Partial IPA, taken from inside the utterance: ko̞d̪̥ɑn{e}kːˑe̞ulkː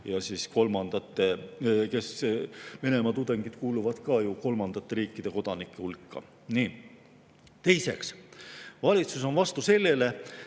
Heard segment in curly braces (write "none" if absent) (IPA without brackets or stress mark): i